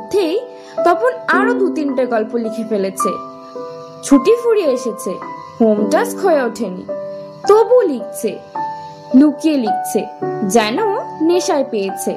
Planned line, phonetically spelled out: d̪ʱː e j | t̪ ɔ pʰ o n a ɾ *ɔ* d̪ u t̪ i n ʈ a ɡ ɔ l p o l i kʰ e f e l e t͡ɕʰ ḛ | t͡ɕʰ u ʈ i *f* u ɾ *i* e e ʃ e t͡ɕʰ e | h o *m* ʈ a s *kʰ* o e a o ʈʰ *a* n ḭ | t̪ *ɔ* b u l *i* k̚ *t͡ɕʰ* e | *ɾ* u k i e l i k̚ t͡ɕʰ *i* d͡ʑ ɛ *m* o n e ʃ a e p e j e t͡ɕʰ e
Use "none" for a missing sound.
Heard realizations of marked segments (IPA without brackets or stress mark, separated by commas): o, f, i, m, kʰ, e, o, i, t͡ɕʰ, l, e, n